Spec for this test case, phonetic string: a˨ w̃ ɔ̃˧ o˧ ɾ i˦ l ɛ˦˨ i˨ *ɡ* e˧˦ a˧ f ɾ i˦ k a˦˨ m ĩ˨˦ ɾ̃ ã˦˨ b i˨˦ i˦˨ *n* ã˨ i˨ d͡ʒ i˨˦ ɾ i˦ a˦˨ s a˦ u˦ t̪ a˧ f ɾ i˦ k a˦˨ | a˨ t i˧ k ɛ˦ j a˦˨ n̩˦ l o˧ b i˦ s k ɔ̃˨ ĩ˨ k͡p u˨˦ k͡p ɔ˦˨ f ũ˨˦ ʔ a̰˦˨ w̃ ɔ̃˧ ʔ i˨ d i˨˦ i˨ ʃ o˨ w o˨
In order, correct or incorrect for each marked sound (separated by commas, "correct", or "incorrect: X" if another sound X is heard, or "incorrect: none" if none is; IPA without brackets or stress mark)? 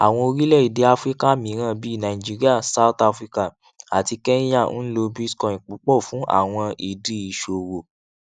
incorrect: d, correct